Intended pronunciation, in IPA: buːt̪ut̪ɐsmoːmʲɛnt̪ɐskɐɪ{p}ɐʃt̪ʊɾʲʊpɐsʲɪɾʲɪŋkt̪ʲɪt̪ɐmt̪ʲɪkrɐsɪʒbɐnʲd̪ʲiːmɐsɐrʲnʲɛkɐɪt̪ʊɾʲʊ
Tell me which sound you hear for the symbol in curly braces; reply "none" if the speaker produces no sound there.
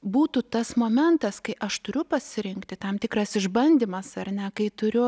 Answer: ʔ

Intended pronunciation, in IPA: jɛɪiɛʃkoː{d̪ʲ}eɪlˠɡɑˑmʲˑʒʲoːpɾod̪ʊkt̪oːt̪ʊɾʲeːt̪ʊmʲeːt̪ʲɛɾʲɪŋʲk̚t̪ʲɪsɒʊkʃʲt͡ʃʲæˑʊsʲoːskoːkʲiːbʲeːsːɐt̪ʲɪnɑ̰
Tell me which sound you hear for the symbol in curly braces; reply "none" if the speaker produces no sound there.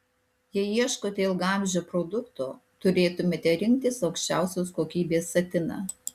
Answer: t̪ʲ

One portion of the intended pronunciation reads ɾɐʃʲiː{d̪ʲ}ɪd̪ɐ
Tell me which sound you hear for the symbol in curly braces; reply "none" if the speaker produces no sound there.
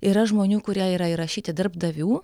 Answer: t̪ʲ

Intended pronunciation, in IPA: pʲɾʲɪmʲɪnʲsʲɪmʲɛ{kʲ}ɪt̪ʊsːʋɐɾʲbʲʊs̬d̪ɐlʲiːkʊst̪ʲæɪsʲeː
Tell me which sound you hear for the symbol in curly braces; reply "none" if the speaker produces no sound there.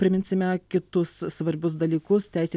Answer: kʲ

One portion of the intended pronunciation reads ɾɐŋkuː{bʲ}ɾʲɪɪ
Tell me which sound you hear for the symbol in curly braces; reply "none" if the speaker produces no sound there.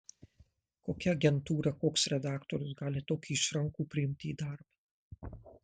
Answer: pʲ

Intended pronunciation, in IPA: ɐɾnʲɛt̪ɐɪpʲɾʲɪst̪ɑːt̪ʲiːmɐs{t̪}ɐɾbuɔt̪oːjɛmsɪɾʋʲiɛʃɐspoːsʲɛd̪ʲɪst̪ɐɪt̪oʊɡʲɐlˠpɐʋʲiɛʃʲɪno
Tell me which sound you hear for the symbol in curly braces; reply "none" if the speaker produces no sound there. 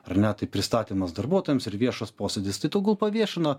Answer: d̪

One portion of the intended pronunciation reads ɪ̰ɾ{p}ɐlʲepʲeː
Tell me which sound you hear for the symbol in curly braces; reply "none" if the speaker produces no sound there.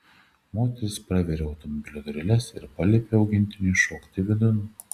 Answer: p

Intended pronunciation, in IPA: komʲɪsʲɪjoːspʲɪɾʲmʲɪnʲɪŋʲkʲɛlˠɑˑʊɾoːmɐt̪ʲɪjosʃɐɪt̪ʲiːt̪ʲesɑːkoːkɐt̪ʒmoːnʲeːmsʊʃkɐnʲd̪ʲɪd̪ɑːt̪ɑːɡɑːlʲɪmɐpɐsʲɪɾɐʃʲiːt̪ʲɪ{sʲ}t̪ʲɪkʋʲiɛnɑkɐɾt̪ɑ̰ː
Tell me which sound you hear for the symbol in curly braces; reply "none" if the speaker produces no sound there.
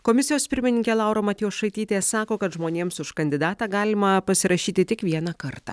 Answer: none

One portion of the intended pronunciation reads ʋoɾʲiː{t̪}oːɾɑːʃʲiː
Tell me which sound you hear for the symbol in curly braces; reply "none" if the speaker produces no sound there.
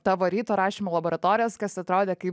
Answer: t̪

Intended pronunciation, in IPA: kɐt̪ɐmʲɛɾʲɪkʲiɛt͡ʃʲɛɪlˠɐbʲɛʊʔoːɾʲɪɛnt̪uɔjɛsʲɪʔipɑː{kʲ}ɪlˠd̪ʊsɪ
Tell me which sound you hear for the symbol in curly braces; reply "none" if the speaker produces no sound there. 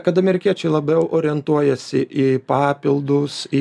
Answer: pʲ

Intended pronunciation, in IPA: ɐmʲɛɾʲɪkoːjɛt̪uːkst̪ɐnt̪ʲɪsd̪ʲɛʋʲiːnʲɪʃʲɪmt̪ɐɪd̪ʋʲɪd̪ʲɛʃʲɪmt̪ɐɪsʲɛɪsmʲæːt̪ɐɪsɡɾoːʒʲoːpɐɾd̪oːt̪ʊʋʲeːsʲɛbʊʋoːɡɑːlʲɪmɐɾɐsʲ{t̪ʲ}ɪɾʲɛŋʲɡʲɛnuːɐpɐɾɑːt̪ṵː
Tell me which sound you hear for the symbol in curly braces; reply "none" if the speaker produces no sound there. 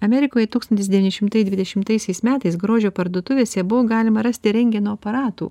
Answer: t̪ʲ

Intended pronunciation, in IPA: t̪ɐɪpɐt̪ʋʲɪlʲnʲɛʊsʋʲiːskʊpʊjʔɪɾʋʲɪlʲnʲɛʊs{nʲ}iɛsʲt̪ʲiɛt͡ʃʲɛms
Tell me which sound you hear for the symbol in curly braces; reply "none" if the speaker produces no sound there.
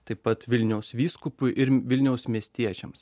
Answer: mʲ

